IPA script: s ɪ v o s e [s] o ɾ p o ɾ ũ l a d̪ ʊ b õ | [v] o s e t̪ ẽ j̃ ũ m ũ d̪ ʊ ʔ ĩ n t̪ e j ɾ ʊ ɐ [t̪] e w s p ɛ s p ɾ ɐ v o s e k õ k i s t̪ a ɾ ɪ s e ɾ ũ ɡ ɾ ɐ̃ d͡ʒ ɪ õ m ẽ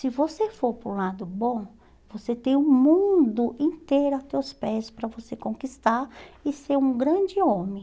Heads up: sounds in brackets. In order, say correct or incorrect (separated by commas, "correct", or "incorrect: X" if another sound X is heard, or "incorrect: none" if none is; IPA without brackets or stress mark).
incorrect: f, correct, correct